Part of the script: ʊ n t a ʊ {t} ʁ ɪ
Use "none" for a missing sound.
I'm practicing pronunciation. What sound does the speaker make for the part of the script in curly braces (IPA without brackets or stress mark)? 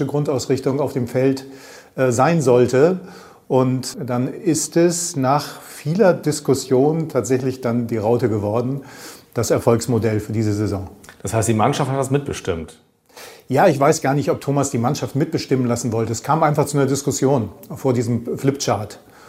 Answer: s